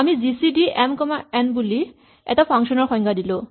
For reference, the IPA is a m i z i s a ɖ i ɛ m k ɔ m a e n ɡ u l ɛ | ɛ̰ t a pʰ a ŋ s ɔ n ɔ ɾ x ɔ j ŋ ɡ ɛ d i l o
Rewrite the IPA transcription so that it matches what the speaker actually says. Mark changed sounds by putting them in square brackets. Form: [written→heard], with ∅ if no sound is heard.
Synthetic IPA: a m i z i s [a→i] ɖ i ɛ m k ɔ m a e n [ɡ→b] u l [ɛ→i] | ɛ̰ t a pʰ a ŋ [s→ʃ] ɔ n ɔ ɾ x ɔ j ŋ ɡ [ɛ→a] d i l o